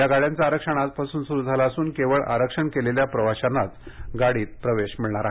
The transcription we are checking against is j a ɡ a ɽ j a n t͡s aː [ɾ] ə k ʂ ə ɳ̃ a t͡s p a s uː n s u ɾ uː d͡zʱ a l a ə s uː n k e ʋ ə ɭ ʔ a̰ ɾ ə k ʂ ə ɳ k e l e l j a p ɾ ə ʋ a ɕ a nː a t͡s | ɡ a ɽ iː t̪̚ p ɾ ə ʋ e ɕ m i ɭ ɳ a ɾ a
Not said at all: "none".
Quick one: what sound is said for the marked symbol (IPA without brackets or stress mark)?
ɾ